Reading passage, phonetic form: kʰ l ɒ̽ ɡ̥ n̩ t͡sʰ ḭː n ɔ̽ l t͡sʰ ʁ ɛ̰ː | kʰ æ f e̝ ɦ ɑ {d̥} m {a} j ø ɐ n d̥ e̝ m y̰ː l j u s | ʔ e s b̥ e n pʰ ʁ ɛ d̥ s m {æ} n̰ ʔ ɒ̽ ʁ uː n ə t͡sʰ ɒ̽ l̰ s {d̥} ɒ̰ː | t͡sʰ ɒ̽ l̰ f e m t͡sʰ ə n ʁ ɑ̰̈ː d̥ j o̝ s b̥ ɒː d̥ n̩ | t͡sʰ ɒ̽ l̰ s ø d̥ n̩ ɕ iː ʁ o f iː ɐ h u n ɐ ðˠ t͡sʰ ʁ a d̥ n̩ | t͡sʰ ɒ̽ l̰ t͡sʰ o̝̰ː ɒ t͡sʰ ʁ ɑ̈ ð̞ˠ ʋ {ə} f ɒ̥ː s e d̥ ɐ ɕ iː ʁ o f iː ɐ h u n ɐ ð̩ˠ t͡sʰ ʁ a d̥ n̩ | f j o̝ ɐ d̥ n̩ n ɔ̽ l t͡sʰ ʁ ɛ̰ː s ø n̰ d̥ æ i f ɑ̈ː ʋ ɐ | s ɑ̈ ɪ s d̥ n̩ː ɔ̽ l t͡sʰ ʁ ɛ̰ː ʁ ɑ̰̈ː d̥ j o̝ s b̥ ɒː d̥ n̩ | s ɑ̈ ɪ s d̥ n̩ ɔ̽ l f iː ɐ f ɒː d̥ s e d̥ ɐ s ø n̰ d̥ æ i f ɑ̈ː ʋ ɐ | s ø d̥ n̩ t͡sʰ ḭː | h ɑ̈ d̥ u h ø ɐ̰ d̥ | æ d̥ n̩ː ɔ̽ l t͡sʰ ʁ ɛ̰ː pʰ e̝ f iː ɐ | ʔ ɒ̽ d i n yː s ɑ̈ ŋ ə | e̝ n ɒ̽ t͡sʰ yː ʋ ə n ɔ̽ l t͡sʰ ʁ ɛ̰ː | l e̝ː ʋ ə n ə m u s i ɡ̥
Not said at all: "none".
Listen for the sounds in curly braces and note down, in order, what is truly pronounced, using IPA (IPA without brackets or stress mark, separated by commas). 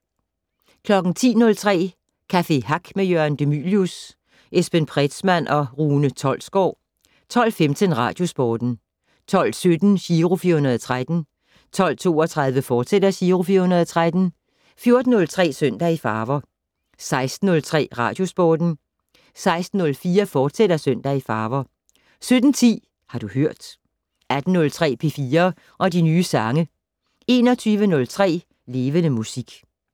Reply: ɡ̥, e, æ, ɡ̥, ə